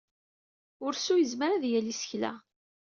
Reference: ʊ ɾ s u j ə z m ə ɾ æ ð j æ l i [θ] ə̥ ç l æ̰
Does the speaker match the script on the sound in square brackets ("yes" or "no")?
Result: no